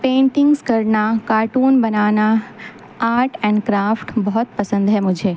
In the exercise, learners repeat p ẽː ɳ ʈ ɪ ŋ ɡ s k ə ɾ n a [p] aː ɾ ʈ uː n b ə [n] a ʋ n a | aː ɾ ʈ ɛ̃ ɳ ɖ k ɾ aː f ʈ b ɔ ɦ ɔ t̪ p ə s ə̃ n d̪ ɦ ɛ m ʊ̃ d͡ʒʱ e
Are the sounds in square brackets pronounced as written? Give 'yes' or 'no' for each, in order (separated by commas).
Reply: no, yes